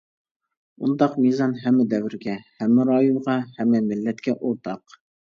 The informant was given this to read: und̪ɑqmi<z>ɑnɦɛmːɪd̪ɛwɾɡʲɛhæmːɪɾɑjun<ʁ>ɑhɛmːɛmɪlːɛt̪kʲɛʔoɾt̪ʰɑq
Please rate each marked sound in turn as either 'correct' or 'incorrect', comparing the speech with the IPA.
correct, correct

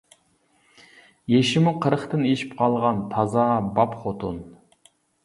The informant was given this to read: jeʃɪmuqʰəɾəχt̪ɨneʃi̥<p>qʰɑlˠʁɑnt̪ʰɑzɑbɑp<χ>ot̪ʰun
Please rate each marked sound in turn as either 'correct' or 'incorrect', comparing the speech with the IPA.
correct, correct

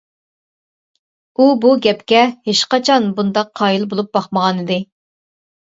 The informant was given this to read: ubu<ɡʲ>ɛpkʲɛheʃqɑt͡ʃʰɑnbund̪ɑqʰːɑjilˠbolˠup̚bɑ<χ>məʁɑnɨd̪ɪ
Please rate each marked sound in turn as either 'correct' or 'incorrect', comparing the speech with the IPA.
correct, correct

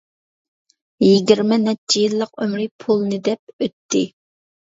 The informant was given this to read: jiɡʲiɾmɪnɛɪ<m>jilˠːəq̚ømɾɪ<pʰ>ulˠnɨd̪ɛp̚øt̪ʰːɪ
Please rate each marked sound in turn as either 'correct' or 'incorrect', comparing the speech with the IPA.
incorrect, correct

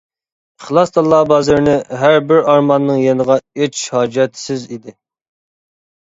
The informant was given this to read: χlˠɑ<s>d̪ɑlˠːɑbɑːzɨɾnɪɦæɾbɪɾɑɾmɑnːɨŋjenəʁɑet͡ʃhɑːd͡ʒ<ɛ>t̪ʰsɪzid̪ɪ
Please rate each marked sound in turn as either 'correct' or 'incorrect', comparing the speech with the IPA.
correct, correct

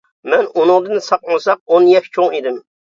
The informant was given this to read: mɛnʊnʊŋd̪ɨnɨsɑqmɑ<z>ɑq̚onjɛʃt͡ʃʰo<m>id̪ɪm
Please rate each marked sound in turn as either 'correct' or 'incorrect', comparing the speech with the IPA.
incorrect, incorrect

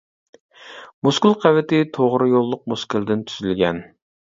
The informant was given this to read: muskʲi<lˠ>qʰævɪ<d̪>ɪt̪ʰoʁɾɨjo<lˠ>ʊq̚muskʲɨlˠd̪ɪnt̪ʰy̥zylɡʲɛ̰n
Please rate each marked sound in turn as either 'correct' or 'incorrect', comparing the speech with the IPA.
correct, incorrect, incorrect

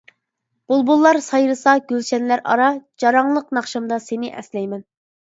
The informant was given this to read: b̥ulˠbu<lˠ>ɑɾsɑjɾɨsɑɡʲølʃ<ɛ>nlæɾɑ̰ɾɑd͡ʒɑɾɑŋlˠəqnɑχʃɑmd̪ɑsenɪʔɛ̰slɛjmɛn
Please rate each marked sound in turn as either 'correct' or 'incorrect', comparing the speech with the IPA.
incorrect, correct

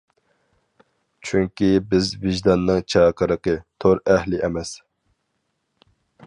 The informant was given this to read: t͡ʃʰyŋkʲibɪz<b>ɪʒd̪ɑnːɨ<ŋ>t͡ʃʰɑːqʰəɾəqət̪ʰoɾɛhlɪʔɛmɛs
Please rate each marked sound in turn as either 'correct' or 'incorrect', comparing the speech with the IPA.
incorrect, correct

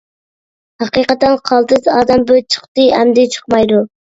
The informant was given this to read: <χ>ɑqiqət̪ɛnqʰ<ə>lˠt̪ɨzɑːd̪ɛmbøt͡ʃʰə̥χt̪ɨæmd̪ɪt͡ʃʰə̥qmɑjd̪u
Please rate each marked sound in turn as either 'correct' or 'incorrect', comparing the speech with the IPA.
incorrect, incorrect

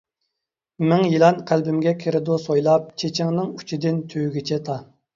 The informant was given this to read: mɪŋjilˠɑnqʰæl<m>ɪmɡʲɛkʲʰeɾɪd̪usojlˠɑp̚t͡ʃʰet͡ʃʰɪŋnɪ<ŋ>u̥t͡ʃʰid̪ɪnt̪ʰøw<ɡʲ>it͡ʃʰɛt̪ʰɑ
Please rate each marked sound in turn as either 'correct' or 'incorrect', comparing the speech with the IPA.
incorrect, correct, correct

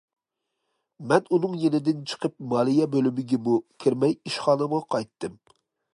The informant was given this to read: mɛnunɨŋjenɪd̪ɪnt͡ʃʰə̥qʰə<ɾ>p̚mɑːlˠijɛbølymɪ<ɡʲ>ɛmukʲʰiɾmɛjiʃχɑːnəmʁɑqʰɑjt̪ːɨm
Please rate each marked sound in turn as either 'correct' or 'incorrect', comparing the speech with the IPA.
incorrect, correct

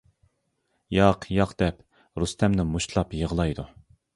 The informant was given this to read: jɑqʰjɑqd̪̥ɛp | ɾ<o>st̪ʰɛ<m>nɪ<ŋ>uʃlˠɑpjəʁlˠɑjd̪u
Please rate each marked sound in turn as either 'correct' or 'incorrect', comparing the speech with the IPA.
incorrect, correct, incorrect

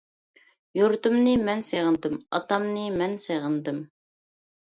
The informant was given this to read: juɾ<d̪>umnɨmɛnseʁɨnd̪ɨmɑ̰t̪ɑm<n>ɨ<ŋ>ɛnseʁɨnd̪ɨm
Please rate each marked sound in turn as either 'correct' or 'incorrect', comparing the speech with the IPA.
incorrect, correct, incorrect

